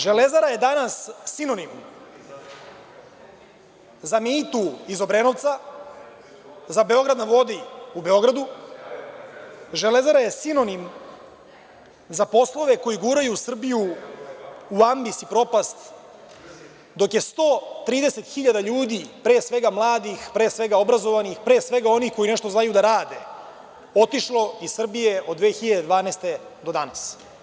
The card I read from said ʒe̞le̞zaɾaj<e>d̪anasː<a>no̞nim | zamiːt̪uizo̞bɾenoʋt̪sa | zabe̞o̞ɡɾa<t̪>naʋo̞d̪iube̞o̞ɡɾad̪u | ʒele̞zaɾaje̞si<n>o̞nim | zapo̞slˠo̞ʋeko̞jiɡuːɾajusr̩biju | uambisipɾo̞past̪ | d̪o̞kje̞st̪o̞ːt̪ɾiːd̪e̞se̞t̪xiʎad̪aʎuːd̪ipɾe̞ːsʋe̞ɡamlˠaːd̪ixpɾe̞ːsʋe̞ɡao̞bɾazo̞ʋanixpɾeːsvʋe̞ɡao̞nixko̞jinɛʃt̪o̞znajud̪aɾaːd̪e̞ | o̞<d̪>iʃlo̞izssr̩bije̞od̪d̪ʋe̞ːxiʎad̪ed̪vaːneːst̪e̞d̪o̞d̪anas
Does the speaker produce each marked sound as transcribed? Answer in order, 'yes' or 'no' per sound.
yes, no, no, yes, no

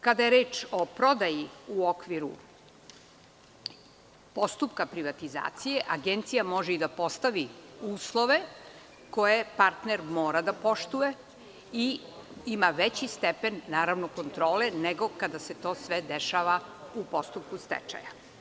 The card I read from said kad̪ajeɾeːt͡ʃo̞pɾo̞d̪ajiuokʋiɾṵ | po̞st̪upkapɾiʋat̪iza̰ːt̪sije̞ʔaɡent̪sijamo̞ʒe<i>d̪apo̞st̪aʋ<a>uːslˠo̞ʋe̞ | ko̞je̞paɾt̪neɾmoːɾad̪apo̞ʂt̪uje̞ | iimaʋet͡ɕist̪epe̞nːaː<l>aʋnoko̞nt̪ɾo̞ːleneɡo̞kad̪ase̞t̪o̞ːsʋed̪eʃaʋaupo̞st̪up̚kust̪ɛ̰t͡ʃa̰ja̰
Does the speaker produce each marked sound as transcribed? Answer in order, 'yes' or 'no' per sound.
yes, no, no

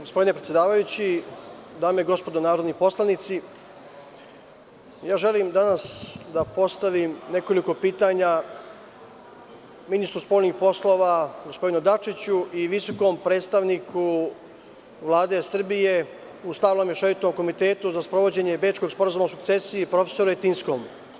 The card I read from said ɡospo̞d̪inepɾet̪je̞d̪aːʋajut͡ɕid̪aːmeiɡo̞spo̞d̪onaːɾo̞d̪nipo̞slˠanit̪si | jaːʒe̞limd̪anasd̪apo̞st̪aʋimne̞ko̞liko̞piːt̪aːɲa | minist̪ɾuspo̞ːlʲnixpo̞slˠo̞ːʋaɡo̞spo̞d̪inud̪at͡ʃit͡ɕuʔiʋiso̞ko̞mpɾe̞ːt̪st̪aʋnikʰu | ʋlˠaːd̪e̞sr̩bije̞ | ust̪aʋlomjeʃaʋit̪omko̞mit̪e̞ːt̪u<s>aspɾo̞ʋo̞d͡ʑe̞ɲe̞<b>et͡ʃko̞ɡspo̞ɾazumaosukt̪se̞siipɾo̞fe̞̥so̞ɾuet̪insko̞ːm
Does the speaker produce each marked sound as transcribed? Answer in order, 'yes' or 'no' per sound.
no, yes

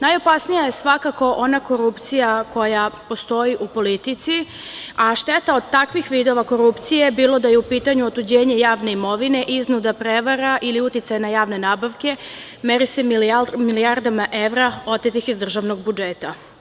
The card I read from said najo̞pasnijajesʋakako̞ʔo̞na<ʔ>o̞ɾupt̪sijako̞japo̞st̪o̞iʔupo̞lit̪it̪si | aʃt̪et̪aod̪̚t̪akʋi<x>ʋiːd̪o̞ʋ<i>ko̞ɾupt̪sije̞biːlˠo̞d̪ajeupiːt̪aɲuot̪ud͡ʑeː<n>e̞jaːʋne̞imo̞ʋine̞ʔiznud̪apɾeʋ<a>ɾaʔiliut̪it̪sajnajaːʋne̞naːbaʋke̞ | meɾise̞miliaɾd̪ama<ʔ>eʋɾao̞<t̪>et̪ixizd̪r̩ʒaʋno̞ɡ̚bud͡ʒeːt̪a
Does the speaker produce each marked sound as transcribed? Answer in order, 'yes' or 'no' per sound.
no, yes, no, no, yes, yes, yes

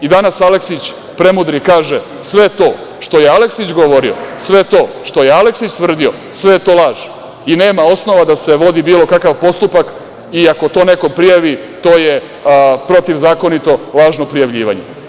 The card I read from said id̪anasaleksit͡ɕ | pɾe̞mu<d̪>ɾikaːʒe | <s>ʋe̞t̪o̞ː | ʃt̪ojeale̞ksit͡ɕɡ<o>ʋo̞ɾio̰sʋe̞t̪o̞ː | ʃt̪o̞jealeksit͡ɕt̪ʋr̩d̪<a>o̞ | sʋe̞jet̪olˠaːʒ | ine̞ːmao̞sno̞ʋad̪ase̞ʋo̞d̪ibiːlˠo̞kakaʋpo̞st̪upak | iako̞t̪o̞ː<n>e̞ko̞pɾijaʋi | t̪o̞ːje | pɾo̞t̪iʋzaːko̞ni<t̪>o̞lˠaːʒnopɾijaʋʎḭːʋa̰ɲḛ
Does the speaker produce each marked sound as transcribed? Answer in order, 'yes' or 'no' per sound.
yes, yes, yes, no, yes, yes

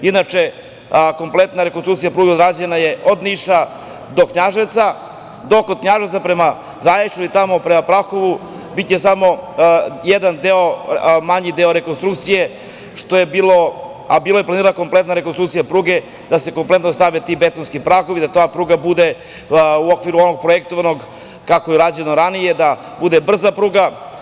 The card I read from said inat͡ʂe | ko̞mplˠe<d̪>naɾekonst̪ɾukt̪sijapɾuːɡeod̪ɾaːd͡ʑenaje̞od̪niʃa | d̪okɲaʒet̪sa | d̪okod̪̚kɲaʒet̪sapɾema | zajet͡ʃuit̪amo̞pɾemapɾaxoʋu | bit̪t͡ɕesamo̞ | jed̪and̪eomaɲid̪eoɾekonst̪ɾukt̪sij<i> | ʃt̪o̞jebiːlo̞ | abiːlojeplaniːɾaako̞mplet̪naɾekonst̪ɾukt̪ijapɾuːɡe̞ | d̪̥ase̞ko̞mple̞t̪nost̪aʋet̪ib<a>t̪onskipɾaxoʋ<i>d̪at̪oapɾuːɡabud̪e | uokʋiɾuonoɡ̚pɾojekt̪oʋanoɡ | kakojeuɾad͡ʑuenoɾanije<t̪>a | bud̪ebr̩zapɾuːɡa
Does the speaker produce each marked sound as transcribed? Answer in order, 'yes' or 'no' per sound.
no, no, no, yes, no

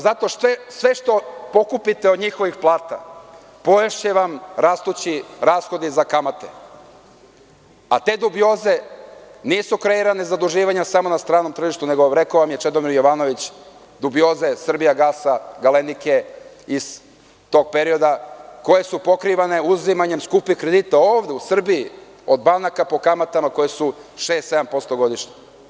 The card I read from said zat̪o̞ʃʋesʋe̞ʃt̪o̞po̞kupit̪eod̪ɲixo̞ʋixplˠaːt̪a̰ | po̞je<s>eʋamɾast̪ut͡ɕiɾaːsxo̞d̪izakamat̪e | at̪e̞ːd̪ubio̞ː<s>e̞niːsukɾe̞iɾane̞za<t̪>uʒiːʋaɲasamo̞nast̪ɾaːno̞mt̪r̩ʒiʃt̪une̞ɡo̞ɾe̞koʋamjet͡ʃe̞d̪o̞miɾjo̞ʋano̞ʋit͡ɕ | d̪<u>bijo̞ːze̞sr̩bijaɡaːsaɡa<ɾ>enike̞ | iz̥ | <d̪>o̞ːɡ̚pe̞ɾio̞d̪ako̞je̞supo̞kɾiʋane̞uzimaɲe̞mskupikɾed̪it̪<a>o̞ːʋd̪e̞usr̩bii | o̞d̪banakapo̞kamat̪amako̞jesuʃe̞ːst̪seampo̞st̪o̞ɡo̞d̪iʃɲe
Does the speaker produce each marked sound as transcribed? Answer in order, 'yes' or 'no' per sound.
no, no, no, yes, no, no, yes

